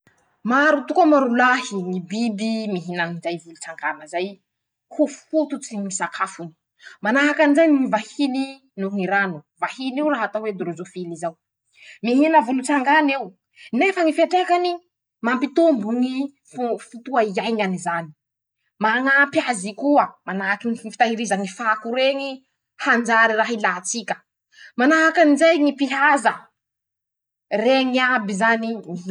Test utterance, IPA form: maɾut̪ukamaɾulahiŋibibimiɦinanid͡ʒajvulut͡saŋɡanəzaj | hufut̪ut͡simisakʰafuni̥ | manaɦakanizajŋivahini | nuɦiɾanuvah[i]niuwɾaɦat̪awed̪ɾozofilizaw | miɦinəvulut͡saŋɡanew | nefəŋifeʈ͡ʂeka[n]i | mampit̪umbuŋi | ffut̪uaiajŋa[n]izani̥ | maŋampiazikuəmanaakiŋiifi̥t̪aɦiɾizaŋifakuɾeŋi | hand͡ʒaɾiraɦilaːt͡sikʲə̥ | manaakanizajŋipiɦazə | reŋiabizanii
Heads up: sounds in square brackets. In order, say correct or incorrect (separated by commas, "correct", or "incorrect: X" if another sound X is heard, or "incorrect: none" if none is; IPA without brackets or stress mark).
correct, correct, correct